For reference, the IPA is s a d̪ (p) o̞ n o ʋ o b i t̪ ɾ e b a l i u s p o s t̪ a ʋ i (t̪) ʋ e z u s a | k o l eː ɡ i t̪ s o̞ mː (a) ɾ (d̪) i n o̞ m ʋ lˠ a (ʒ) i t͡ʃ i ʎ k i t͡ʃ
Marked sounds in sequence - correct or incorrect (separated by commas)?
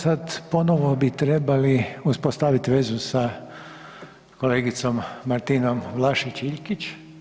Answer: correct, correct, correct, incorrect, incorrect